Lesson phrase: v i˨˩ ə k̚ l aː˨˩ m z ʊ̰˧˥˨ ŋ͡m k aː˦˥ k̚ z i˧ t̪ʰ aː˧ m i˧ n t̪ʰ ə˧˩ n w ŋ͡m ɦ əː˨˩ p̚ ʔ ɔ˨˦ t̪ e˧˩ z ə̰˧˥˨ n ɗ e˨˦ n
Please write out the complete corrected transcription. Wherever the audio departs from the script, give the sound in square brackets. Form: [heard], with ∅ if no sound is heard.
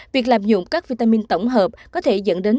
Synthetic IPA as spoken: v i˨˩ ə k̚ l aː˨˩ m z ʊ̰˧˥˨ ŋ͡m k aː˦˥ k̚ [v] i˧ [t̪] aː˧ m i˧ n [t̪] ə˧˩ [∅] w ŋ͡m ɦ əː˨˩ p̚ [k] ɔ˨˦ [t̪ʰ] e˧˩ z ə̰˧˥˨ n ɗ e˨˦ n